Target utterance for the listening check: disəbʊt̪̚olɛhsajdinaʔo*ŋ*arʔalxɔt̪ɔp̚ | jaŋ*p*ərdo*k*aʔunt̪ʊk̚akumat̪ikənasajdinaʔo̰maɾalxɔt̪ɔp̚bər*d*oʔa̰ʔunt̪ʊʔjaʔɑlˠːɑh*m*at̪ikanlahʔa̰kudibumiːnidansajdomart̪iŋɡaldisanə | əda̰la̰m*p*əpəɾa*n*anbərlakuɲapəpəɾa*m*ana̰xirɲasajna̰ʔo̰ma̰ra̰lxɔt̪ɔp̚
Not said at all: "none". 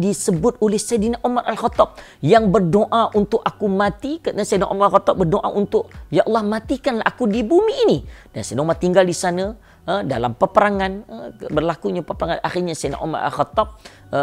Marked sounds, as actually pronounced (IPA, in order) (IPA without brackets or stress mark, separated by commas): m, b, ʔ, d, m, p, ŋ, ŋ